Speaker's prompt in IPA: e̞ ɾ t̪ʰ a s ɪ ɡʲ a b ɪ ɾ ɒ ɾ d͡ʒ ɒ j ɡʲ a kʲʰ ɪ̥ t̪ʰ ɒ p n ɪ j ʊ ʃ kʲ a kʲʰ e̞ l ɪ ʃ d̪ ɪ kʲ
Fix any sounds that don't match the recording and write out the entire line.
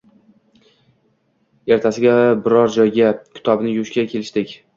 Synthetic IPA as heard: e̞ ɾ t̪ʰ a s ɪ ɡʲ a b ɪ ɾ ɒ ɾ d͡ʒ ɒ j ɡʲ a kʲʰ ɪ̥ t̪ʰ ɒ b n ɪ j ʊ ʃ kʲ a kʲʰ e̞ l ɪ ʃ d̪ ɪ kʲ